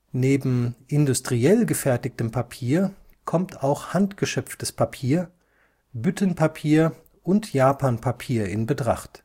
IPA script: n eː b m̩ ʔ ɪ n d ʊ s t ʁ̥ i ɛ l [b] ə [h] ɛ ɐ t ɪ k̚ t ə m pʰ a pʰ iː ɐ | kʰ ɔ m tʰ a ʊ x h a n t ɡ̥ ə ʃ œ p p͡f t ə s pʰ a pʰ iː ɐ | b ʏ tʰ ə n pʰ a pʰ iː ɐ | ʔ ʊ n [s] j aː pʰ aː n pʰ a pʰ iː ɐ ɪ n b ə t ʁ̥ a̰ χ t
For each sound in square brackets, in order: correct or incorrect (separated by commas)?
incorrect, incorrect, incorrect